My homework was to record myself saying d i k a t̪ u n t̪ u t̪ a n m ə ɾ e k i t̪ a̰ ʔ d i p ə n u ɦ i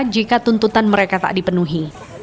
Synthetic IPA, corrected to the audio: d͡ʒ i k a t̪ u n t̪ u t̪ a n m ə ɾ e k a t̪ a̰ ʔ d i p ə n u ɦ i